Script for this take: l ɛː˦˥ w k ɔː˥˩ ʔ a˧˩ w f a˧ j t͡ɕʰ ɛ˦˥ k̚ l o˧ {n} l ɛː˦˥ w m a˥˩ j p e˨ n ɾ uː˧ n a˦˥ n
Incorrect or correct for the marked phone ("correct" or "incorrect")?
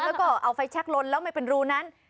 correct